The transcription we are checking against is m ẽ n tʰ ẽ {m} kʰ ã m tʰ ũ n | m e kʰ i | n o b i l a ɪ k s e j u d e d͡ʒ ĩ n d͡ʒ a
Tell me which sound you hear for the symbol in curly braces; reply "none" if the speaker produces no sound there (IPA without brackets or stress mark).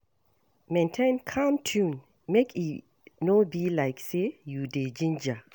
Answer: n